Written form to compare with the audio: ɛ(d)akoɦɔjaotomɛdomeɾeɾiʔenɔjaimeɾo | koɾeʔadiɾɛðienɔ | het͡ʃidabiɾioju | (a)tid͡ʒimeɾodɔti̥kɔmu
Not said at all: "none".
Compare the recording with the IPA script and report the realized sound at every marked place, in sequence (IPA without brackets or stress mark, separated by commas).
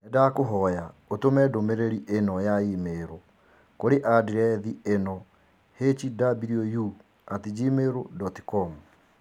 d, a